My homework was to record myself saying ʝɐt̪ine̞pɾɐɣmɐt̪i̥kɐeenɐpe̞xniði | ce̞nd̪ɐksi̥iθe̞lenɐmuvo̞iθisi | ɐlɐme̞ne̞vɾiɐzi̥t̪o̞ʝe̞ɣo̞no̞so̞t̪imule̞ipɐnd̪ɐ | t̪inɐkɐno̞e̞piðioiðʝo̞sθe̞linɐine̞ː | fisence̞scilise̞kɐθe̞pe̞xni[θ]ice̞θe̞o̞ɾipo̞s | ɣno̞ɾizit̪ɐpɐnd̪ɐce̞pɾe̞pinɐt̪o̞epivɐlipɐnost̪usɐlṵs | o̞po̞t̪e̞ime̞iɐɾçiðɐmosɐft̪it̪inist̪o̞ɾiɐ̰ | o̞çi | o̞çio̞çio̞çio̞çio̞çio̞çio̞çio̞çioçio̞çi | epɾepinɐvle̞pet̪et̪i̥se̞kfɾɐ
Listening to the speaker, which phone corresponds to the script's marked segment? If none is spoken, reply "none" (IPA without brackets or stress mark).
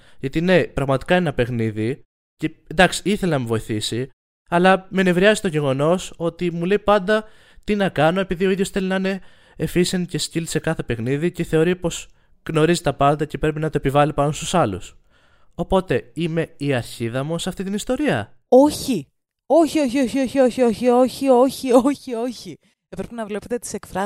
ð